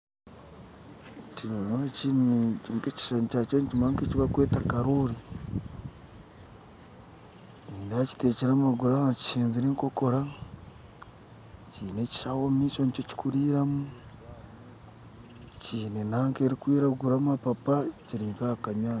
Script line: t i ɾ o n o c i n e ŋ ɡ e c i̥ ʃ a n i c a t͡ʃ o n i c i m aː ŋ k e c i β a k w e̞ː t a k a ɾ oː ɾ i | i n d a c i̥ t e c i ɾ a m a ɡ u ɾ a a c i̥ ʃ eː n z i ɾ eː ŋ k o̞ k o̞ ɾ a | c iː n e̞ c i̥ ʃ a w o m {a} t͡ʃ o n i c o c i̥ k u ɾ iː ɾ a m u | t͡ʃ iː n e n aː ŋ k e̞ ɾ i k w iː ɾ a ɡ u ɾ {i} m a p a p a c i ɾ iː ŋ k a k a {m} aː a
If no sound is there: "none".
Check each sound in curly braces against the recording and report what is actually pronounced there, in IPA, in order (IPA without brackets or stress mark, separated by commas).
i, a, ɲ